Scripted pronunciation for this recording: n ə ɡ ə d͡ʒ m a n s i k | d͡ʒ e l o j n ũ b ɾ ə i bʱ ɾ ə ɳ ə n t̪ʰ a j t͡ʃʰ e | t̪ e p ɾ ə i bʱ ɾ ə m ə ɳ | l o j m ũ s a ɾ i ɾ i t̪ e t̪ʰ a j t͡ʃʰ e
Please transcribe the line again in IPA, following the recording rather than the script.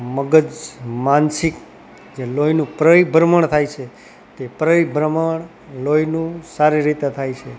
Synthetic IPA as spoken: m ə ɡ ə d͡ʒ m a n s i k | d͡ʒ e l o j n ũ p ɾ ə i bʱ ɾ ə m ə ɳ t̪ʰ a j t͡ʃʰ e | t̪ e p ɾ ə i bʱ ɾ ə m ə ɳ | l o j n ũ s a ɾ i ɾ i t̪ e t̪ʰ a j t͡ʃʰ e